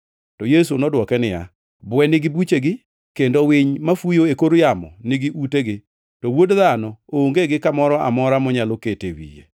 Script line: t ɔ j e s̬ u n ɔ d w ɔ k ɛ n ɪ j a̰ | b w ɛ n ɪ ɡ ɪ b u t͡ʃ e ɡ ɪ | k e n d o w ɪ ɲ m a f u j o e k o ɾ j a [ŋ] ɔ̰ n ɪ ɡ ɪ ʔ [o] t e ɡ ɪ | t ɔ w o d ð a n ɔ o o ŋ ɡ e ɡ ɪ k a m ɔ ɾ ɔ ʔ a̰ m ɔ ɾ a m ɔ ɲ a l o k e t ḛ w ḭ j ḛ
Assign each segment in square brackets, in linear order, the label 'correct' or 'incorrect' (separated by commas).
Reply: incorrect, incorrect